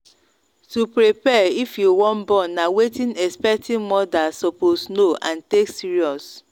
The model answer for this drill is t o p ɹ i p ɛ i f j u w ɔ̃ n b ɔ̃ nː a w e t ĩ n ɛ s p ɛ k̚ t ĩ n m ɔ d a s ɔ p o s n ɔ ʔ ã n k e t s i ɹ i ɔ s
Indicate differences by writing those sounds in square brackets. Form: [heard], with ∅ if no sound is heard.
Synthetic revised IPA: t [u] p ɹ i p ɛ i f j u w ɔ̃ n b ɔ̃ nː a w e t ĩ n ɛ s p ɛ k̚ t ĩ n m ɔ d a s ɔ p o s n [o] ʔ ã n [t] e [k] s i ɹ i ɔ s